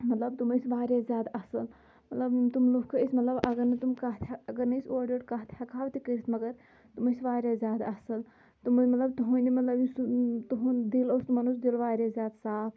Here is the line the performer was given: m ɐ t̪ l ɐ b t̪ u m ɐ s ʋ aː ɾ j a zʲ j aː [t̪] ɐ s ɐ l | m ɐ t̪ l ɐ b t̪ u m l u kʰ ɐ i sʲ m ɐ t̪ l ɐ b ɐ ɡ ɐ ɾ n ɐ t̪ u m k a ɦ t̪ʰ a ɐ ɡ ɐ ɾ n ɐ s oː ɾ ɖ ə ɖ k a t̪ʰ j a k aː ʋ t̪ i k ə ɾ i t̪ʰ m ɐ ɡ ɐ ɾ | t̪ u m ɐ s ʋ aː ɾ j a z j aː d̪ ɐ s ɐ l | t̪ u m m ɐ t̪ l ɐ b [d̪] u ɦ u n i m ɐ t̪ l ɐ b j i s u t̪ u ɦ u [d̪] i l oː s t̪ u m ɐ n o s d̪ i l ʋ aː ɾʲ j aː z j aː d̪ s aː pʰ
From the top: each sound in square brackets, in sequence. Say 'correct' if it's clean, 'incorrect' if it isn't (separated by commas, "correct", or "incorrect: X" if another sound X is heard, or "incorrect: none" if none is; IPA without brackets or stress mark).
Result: incorrect: d̪, incorrect: t̪, correct